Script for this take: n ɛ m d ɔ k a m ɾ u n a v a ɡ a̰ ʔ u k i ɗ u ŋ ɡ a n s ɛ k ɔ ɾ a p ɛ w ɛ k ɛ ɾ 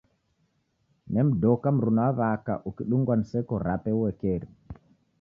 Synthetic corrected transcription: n ɛ m d ɔ k a m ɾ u n a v a k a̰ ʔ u k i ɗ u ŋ ɡ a n s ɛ k ɔ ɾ a p ɛ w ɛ k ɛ ɾ